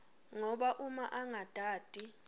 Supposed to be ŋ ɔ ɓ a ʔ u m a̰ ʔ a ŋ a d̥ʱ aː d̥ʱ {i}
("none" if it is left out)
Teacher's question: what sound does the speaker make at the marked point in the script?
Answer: i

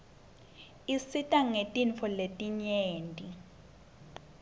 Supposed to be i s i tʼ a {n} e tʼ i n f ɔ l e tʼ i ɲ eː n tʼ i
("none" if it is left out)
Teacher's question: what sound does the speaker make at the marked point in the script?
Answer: ŋ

